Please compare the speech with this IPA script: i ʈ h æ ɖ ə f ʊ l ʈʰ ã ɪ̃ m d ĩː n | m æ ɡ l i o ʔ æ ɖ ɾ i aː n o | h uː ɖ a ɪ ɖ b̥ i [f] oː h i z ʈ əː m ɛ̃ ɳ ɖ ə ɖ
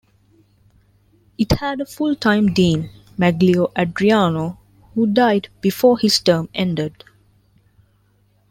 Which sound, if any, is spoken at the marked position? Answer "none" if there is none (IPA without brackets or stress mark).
f